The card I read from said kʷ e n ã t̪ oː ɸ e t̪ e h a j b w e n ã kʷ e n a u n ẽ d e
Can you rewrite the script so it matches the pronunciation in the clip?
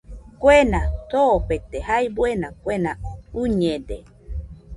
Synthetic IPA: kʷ e n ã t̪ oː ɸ e t̪ e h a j b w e n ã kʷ e n a u ɲ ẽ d e

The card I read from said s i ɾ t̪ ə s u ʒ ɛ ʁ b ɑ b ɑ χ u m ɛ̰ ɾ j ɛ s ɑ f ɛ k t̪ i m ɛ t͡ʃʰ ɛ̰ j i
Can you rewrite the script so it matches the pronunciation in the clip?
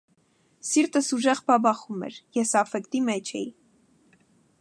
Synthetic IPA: s i ɾ t̪ ə s u ʒ ɛ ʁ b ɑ b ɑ χ u m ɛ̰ ɾ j ɛ s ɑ f ɛ k t̪ i m ɛ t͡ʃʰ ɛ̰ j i

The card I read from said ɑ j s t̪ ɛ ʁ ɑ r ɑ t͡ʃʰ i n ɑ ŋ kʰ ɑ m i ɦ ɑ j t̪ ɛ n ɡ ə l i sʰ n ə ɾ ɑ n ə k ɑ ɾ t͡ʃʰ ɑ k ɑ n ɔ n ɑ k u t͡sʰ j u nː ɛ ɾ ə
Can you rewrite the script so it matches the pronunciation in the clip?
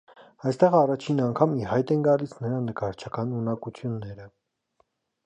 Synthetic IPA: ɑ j s t̪ ɛ ʁ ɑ r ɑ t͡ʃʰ i n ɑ ŋ kʰ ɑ m i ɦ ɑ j t̪ ɛ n ɡ ɑ l i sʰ n ə ɾ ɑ n ə k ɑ ɾ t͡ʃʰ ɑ k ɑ n u n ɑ k u t͡sʰ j u nː ɛ ɾ ə

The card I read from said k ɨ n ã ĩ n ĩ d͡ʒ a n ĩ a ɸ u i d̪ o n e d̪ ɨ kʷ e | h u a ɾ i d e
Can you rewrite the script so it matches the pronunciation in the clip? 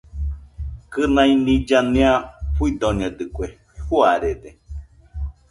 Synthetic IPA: k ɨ n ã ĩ n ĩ d͡ʒ a n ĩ a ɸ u i d̪ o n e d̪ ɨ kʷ e | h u a ɾ e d e

